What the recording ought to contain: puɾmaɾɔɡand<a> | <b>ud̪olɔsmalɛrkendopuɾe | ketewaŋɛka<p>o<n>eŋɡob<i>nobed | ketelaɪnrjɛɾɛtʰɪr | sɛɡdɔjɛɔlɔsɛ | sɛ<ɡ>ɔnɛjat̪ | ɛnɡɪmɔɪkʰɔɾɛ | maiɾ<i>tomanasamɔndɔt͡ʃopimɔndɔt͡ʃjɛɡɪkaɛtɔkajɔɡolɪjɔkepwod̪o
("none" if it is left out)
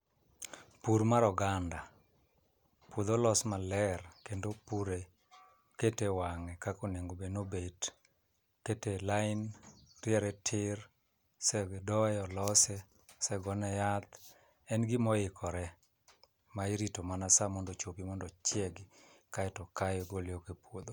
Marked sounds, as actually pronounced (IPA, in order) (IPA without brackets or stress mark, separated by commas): a, p, k, n, e, ɡ, i